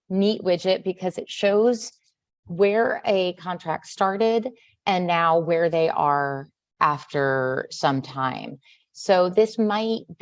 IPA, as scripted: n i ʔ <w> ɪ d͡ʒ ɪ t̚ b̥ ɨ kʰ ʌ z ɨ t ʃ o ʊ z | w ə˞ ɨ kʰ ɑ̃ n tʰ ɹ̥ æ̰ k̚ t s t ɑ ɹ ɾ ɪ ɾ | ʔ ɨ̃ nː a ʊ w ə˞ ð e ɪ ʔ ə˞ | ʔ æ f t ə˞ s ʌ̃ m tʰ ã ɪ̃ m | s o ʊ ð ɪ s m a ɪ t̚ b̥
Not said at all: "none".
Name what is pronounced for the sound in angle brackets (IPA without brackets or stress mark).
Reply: w